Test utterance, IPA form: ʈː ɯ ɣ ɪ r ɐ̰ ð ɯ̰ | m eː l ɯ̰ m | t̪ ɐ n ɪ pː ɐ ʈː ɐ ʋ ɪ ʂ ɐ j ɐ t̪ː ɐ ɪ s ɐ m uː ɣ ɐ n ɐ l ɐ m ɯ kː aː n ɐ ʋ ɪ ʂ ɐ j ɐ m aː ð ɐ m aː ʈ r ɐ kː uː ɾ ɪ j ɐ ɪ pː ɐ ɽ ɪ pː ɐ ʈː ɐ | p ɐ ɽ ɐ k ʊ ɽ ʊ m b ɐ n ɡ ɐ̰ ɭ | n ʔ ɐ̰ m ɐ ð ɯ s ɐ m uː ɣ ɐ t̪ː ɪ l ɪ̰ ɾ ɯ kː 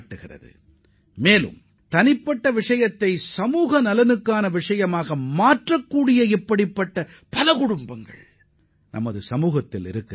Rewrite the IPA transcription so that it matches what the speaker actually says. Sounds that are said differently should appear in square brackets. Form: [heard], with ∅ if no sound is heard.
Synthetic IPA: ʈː ɯ ɣ ɪ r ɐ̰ ð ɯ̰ | m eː l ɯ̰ m | t̪ ɐ n ɪ pː ɐ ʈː ɐ ʋ ɪ ʂ ɐ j ɐ t̪ː ɐ ɪ s ɐ m uː ɣ ɐ n ɐ l ɐ [n] ɯ kː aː n ɐ ʋ ɪ ʂ ɐ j ɐ m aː [ɣ] ɐ m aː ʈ r ɐ kː uː [ɽ] ɪ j ɐ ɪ pː ɐ ɽ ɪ pː ɐ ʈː ɐ | p ɐ [l] ɐ k ʊ ɽ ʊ m b ɐ [ŋ] ɡ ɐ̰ ɭ | n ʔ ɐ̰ m ɐ ð ɯ s ɐ m uː ɣ ɐ t̪ː ɪ l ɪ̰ ɾ ɯ kː